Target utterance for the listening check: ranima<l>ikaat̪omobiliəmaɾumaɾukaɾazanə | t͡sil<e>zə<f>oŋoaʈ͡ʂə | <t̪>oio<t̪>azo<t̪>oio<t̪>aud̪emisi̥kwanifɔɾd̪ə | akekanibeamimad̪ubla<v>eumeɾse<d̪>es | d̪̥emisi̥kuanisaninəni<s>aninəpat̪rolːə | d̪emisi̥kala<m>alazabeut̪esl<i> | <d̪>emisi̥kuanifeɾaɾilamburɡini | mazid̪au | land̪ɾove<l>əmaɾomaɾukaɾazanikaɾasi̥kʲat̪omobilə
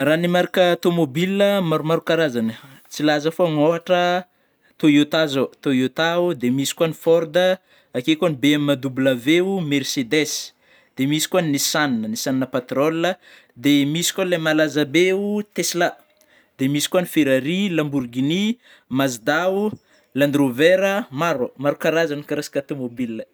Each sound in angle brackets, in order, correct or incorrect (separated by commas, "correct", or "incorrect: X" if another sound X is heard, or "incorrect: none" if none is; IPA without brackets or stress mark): incorrect: ɾ, incorrect: a, correct, correct, correct, correct, correct, correct, correct, correct, correct, incorrect: a, correct, incorrect: ɾ